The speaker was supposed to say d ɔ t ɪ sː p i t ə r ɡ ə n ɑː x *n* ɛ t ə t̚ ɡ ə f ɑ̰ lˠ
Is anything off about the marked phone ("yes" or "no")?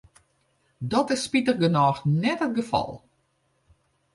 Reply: no